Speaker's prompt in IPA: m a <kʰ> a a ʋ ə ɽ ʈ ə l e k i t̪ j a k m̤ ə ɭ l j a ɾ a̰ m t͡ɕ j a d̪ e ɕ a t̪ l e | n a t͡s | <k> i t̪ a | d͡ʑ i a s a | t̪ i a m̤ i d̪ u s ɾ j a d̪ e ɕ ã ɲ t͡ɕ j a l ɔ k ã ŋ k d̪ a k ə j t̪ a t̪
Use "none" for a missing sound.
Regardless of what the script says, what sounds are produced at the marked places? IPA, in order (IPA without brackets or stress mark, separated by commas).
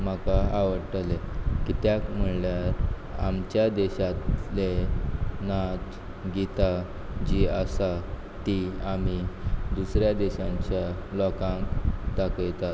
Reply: k, ɡ